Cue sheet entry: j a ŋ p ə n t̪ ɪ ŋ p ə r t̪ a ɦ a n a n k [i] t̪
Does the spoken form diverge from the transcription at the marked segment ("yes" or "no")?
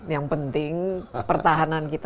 no